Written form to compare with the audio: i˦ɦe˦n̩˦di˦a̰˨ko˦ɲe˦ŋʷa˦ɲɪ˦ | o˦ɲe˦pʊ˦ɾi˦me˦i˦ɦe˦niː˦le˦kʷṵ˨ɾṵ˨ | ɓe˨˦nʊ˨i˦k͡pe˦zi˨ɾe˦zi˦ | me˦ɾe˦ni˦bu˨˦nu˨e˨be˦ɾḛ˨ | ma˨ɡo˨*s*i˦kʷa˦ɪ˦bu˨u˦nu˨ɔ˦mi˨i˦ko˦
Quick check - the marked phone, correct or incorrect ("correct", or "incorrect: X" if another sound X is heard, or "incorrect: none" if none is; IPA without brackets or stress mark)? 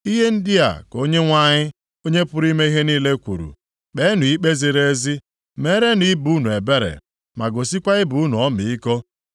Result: correct